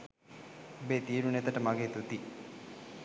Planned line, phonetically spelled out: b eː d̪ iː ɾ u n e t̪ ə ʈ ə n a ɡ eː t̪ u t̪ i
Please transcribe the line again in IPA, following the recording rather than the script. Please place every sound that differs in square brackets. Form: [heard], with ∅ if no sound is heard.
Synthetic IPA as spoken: b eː [t̪] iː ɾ u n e t̪ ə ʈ ə [m] a ɡ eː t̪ u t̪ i